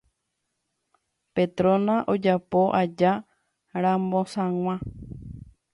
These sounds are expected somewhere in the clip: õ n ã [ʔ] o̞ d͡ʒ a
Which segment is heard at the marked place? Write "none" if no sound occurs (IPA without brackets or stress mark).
ʔ